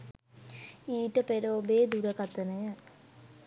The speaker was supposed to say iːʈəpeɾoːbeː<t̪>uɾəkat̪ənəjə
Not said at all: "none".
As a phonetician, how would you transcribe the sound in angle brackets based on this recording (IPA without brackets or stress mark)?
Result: d̪